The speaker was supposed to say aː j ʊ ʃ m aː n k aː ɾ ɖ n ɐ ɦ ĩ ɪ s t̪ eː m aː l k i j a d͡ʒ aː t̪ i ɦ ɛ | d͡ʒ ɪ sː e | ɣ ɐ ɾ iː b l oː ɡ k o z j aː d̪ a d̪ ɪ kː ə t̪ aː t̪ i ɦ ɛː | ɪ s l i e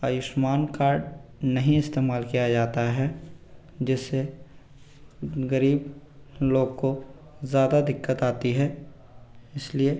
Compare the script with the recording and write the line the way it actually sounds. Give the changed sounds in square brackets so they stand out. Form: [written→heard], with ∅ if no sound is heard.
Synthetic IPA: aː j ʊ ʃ m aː n k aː ɾ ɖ n ɐ ɦ ĩ ɪ s t̪ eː m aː l k i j a d͡ʒ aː t̪ [i→a] ɦ ɛ | d͡ʒ ɪ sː e | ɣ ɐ ɾ iː b l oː ɡ k o z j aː d̪ a d̪ ɪ kː ə t̪ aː t̪ i ɦ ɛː | ɪ s l i e